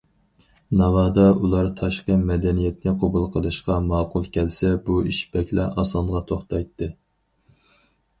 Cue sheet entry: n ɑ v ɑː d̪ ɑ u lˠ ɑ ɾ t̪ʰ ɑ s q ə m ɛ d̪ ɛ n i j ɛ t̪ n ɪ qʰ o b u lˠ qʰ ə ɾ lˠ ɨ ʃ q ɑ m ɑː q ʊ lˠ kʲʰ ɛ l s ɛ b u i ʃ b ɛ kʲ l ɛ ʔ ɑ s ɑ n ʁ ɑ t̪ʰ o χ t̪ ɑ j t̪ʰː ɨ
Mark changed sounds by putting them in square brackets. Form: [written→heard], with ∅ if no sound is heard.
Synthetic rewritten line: n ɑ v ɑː d̪ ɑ u lˠ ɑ ɾ t̪ʰ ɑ [s→ʃ] q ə m ɛ d̪ ɛ n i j ɛ t̪ n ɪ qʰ o b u lˠ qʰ ə [ɾ→∅] lˠ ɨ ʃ q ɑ m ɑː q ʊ lˠ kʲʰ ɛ l s ɛ b u i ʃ b ɛ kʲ l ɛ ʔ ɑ s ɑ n ʁ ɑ t̪ʰ o χ t̪ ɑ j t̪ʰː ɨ